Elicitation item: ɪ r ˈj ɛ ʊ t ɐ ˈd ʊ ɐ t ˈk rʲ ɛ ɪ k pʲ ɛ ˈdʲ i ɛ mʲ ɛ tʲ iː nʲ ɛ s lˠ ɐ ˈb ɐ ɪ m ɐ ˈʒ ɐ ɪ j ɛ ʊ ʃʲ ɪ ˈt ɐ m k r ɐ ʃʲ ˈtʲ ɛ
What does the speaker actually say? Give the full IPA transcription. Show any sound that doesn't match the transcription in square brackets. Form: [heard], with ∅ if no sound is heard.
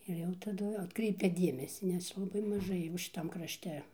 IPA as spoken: ɪ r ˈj ɛ ʊ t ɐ ˈd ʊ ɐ t ˈk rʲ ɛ ɪ [∅] pʲ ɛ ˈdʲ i ɛ mʲ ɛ [sʲ] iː nʲ ɛ s lˠ ɐ ˈb ɐ ɪ m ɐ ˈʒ ɐ ɪ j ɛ ʊ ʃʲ ɪ ˈt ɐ m k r ɐ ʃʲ ˈtʲ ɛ

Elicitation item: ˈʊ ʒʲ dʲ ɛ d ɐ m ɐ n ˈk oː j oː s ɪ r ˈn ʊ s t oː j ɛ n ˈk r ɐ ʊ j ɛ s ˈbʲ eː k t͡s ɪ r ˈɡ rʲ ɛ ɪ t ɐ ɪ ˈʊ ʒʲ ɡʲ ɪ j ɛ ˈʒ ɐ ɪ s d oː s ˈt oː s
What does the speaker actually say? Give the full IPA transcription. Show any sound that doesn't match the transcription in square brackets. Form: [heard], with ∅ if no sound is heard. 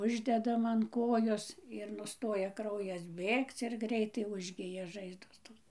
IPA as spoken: ˈʊ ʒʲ dʲ ɛ d ɐ m ɐ n ˈk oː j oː s ɪ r ˈn ʊ s t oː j ɛ [∅] ˈk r ɐ ʊ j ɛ s ˈbʲ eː k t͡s ɪ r ˈɡ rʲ ɛ ɪ t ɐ ɪ ˈʊ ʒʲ ɡʲ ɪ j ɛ ˈʒ ɐ ɪ [z] d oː s ˈt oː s

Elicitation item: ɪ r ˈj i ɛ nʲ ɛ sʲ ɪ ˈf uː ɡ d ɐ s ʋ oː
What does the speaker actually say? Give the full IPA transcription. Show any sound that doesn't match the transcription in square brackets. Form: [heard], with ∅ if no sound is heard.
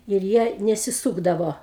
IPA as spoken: ɪ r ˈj i ɛ nʲ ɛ sʲ ɪ [ˈs] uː ɡ d ɐ [∅] ʋ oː

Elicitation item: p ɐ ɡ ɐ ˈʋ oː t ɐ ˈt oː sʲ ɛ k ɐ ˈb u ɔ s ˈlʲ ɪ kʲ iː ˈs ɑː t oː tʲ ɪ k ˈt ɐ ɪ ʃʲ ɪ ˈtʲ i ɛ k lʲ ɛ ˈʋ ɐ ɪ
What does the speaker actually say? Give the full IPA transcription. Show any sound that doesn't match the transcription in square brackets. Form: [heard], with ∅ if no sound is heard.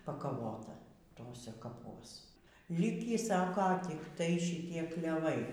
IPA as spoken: p ɐ [k] ɐ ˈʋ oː t ɐ ˈt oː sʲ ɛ k ɐ [ˈp] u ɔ s ˈlʲ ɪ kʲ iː ˈs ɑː [k] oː tʲ ɪ k ˈt ɐ ɪ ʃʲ ɪ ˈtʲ i ɛ k lʲ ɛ ˈʋ ɐ ɪ

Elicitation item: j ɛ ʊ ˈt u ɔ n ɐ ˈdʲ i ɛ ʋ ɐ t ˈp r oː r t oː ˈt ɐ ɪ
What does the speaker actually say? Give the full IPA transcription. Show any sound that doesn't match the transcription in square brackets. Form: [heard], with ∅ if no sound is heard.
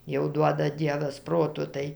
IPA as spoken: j ɛ ʊ [ˈd] u ɔ [d] ɐ ˈdʲ i ɛ ʋ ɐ [s] ˈp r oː [∅] t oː ˈt ɐ ɪ

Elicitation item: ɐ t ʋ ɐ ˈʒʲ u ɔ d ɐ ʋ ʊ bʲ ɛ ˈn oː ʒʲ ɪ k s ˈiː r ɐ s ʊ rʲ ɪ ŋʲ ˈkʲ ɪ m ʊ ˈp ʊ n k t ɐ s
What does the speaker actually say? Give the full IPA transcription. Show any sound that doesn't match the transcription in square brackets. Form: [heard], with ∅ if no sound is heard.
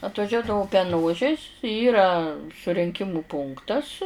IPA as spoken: ɐ t ʋ ɐ ˈʒʲ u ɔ d ɐ ʋ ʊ [pʲ] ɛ ˈn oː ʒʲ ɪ [∅] s ˈiː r ɐ s ʊ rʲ ɪ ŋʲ ˈkʲ ɪ m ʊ ˈp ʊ [ŋ] k t ɐ s

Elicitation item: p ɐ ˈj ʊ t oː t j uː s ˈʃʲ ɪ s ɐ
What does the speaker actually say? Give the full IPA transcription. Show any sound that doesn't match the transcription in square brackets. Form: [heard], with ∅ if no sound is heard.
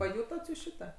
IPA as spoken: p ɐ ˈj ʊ t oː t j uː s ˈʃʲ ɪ [t] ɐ

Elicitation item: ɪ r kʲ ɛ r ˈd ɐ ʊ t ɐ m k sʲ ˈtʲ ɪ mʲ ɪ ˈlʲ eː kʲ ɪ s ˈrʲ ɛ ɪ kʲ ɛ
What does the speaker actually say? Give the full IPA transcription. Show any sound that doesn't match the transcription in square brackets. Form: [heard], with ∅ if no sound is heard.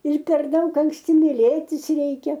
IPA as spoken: ɪ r [pʲ] ɛ r ˈd ɐ ʊ [k] ɐ [ŋ] k sʲ ˈtʲ ɪ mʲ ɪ ˈlʲ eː [tʲ] ɪ s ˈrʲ ɛ ɪ kʲ ɛ

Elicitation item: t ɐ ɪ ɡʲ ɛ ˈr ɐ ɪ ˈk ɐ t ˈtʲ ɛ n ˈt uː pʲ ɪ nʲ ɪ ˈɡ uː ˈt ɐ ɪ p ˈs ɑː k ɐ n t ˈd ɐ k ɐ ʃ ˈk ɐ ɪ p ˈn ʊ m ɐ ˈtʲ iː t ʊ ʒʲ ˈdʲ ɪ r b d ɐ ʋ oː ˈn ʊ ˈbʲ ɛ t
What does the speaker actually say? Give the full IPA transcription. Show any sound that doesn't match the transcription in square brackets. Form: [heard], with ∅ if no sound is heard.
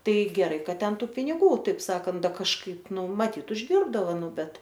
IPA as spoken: t ɐ ɪ ɡʲ ɛ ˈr ɐ ɪ ˈk ɐ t ˈtʲ ɛ n ˈt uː pʲ ɪ nʲ ɪ ˈɡ uː ˈt ɐ ɪ p ˈs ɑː k ɐ n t ˈd ɐ k ɐ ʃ ˈk ɐ ɪ p ˈn ʊ m ɐ ˈtʲ iː t ʊ ʒʲ ˈdʲ ɪ r b d ɐ ʋ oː ˈn ʊ ˈbʲ ɛ t

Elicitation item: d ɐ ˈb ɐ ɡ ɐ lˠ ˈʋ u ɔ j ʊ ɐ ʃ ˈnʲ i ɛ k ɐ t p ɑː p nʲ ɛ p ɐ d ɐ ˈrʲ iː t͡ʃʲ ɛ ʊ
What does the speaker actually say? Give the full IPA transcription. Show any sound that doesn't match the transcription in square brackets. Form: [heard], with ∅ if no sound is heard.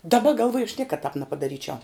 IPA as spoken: d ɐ ˈb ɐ ɡ ɐ lˠ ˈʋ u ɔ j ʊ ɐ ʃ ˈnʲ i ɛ k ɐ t [t] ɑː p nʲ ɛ p ɐ d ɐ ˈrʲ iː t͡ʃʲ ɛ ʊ

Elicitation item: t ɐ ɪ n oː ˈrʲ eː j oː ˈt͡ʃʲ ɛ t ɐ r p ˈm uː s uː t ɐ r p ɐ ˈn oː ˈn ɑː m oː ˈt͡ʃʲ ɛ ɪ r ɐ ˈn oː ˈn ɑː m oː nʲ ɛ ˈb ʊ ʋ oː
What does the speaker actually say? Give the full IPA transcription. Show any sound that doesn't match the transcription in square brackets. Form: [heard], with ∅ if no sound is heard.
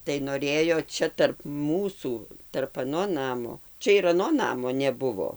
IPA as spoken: t ɐ ɪ n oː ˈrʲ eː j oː ˈt͡ʃʲ ɛ t ɐ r p ˈm uː s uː t ɐ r p ɐ ˈn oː ˈn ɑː m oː ˈt͡ʃʲ ɛ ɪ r ɐ ˈn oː ˈn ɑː m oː nʲ ɛ ˈb ʊ ʋ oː

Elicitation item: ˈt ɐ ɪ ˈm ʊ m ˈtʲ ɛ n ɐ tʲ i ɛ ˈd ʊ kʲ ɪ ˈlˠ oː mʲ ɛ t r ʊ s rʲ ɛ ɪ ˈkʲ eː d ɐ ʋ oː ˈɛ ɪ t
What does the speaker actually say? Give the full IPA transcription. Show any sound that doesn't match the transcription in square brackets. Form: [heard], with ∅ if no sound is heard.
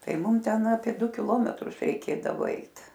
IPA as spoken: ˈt ɐ ɪ ˈm ʊ m ˈtʲ ɛ n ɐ [pʲ] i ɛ ˈd ʊ kʲ ɪ ˈlˠ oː mʲ ɛ t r ʊ s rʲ ɛ ɪ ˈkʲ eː d ɐ ʋ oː ˈɛ ɪ t

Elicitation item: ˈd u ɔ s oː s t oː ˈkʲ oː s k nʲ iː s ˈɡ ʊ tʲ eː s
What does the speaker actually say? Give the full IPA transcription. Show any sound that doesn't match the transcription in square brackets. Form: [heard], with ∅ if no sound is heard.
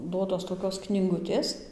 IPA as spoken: ˈd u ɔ [t] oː s t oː ˈkʲ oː s k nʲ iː [∅] ˈɡ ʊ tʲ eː s

